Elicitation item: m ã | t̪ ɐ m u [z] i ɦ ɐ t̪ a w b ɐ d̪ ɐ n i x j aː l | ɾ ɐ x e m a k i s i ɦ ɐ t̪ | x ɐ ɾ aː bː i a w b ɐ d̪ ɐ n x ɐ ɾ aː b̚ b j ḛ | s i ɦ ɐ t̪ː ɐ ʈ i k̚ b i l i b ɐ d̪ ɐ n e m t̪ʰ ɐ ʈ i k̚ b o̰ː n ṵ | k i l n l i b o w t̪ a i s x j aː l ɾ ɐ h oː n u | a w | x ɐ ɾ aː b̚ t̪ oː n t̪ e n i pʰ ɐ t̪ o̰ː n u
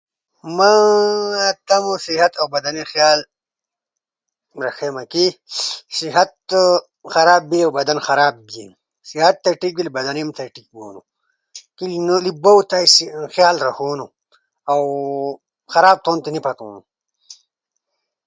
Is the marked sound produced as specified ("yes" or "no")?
no